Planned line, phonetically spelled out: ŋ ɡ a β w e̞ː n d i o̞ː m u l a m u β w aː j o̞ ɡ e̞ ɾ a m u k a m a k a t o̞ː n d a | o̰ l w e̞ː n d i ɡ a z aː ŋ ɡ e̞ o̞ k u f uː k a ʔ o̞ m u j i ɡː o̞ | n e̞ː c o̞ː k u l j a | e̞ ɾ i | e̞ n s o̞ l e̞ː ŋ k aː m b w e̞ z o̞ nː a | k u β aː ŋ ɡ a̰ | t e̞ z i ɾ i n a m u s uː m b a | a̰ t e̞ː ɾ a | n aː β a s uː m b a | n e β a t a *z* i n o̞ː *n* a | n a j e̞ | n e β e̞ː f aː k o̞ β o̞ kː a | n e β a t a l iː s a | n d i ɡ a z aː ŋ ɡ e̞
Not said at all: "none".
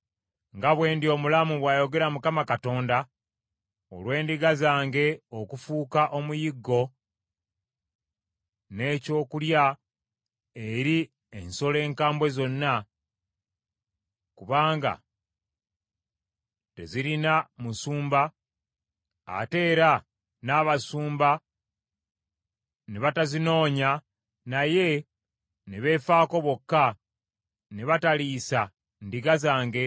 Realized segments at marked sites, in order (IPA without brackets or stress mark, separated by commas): z, ɲ